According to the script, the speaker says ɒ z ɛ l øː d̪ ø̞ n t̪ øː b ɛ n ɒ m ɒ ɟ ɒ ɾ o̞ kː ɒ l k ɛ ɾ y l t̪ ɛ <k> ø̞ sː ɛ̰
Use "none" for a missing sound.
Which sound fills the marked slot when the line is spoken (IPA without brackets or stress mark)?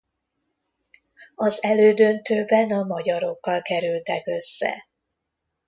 k